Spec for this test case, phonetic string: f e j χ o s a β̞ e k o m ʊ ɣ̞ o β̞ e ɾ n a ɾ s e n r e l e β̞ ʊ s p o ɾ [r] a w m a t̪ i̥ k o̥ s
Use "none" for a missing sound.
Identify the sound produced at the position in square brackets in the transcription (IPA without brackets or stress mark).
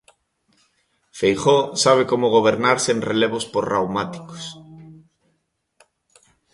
r